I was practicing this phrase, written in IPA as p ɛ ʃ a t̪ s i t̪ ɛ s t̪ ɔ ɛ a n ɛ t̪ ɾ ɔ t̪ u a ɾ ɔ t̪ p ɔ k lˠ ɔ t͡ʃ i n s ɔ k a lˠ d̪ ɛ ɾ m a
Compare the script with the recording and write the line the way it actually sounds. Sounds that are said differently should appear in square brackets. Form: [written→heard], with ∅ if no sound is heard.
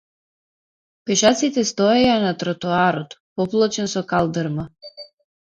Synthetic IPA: p ɛ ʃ a t̪ s i t̪ ɛ s t̪ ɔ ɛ a n [ɛ→a] t̪ ɾ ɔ t̪ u a ɾ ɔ t̪ p ɔ [k→p] lˠ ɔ t͡ʃ [i→ɛ] n s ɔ k a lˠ d̪ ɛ ɾ m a